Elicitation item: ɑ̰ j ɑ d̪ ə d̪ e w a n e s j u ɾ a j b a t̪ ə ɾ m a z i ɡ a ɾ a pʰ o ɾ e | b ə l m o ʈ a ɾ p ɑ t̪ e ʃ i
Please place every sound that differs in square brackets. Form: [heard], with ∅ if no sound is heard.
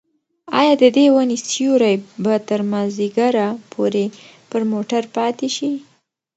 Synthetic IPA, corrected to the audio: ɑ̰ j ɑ d̪ ə d̪ e w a n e s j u ɾ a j b a t̪ ə ɾ m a z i ɡ a ɾ a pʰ o ɾ e | [p] ə [ɾ] m o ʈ a ɾ p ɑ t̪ e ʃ i